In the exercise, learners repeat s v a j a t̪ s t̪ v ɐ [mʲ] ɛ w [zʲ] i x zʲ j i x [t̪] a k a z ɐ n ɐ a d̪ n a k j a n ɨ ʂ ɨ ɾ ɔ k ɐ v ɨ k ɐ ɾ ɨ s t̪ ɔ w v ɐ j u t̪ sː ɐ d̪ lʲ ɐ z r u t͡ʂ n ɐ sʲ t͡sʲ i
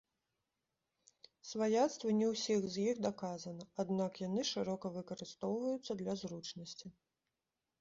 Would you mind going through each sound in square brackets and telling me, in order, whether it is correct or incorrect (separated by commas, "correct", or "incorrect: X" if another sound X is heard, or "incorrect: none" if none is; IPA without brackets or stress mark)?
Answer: incorrect: nʲ, incorrect: sʲ, incorrect: d̪